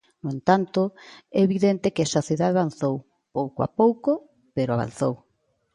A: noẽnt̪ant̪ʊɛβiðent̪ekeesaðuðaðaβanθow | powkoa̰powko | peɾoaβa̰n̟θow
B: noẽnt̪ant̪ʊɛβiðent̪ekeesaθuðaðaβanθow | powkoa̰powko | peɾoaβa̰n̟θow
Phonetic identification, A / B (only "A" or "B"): B